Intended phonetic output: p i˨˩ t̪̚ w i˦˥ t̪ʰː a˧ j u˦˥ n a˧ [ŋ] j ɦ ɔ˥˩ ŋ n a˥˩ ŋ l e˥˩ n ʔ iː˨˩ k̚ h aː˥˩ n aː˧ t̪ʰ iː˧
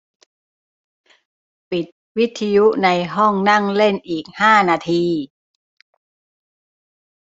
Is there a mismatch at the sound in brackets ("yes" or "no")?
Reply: yes